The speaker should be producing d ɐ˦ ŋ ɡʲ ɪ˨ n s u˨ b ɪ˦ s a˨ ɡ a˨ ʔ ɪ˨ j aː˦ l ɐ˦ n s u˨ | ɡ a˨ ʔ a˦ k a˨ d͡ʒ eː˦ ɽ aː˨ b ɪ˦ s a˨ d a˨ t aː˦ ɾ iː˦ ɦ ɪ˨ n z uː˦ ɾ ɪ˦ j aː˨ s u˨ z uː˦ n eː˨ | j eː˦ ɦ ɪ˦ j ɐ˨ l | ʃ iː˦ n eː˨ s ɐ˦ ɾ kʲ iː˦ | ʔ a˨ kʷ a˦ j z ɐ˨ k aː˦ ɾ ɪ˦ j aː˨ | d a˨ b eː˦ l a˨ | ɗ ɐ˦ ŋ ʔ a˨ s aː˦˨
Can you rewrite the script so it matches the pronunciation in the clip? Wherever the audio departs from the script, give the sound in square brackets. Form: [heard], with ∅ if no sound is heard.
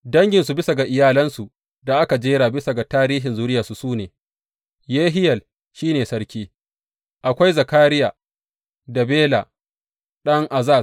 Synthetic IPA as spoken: d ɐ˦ ŋ ɡʲ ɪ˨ n s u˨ b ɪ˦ s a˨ ɡ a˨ ʔ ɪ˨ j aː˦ l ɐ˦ n s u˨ | [d] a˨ ʔ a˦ k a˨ d͡ʒ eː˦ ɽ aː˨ b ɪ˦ s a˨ [ɡ] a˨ t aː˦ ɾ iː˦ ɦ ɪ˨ n z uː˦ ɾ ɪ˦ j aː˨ s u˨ [s] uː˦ n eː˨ | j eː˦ ɦ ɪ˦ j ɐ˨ l | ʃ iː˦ n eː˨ s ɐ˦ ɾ kʲ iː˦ | ʔ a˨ kʷ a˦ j z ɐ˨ k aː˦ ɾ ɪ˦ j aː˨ | d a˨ b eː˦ l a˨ | ɗ ɐ˦ ŋ ʔ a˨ [z] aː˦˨